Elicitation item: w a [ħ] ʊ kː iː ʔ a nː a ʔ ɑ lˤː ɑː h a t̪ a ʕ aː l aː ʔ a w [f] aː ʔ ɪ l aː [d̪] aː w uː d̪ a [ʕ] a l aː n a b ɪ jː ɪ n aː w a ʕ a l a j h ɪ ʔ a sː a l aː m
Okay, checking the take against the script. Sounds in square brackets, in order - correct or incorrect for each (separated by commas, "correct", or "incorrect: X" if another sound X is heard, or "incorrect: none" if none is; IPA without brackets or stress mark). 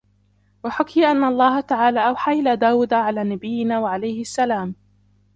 correct, incorrect: ħ, correct, correct